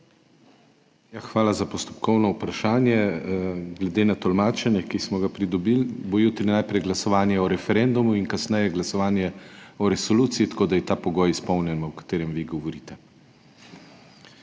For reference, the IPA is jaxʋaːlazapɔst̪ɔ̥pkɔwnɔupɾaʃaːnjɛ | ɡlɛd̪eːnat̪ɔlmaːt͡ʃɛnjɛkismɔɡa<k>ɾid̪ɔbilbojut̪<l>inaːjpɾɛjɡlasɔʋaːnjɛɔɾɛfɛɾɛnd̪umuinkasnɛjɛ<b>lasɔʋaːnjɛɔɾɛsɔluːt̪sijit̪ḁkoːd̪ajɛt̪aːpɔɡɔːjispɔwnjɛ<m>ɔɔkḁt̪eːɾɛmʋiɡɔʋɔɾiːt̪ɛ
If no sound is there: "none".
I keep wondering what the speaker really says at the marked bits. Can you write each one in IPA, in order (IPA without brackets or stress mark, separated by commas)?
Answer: p, ɾ, ɡ, n